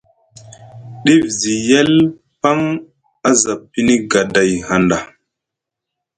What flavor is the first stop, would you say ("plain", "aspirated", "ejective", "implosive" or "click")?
implosive